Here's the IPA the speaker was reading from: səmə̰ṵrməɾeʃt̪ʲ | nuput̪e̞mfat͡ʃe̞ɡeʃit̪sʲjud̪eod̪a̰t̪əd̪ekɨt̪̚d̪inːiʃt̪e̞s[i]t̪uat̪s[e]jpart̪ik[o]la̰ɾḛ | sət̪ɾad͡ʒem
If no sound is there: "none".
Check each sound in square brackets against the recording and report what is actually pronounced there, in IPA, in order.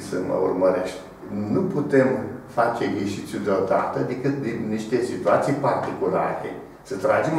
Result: i, i, u

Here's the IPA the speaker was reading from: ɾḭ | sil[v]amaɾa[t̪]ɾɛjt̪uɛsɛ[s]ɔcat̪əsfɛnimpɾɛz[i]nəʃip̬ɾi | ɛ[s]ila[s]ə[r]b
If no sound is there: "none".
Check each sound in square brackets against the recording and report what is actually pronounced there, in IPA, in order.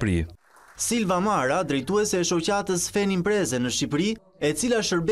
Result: v, d̪, ʃ, ɛ, t͡s, ʃ, ɾ

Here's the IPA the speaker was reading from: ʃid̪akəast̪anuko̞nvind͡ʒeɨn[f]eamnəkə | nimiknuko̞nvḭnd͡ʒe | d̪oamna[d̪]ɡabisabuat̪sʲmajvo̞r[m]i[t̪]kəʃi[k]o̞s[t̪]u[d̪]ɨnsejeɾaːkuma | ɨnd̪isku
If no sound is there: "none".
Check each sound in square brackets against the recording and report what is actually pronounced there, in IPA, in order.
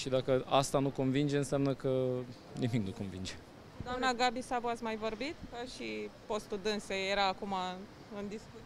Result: s, none, b, t̪, p, t̪, d̪

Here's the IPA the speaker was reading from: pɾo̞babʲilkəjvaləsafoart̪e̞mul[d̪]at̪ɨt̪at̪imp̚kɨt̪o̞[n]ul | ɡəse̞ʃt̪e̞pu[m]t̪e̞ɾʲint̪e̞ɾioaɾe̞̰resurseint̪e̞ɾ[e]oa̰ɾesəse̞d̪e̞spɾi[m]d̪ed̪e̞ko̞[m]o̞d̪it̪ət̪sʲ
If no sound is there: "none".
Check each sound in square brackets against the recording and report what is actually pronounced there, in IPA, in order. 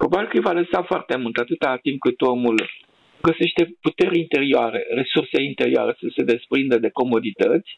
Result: t̪, m, none, i, n, m

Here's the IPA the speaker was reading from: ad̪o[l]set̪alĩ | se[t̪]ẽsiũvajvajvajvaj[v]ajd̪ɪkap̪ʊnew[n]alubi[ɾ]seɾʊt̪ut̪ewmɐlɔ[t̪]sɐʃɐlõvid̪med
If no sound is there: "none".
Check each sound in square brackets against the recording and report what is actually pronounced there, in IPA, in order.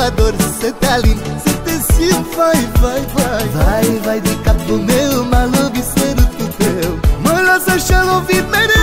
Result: ɾ, t̪, v, m, none, none

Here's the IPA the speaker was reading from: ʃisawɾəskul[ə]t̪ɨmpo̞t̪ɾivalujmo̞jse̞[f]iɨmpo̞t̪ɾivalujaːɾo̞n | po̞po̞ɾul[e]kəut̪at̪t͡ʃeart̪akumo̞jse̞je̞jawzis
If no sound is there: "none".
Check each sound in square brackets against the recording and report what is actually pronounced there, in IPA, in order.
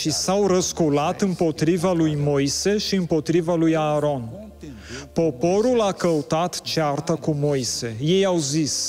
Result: a, ʃ, a

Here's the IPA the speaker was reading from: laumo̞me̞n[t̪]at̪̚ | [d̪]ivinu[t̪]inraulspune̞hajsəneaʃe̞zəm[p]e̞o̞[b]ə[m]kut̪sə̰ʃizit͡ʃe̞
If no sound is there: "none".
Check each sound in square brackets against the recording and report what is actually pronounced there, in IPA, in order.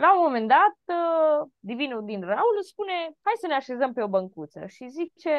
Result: d̪, d̪, d̪, p, b, ŋ

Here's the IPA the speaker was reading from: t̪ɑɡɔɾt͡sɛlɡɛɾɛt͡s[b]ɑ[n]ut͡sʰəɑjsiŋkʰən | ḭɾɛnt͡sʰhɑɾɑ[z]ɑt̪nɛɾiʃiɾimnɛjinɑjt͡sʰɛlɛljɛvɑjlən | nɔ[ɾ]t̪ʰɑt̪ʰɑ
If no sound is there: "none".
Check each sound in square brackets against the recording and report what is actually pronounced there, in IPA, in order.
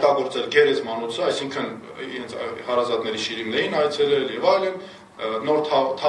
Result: m, n, z, ɾ

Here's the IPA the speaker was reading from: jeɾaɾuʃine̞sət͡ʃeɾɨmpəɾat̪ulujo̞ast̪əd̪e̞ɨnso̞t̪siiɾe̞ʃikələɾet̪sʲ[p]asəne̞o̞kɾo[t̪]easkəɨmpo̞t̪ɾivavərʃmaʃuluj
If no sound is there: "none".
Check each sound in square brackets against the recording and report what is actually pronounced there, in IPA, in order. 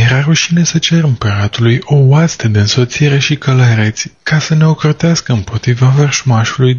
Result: k, t̪

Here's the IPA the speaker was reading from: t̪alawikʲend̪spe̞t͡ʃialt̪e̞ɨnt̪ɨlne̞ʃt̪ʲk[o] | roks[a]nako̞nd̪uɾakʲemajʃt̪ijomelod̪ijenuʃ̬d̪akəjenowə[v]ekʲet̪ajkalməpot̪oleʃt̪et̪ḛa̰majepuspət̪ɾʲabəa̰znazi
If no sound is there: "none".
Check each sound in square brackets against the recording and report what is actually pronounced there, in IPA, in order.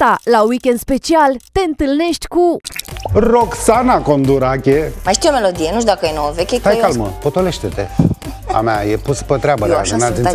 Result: u, a, v

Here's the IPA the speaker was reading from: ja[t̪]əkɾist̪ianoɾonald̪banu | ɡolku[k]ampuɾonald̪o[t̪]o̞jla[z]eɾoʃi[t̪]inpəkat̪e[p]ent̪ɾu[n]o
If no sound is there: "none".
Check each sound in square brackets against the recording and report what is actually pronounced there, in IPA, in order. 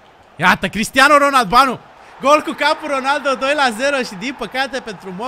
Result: t̪, k, d̪, z, d̪, p, m

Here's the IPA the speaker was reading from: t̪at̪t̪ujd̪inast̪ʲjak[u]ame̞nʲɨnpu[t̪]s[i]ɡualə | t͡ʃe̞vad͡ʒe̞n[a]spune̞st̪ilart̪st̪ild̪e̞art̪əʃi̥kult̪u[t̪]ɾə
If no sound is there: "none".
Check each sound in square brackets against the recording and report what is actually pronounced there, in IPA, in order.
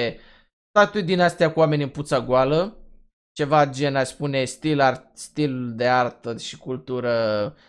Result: u, t̪, a, a, none

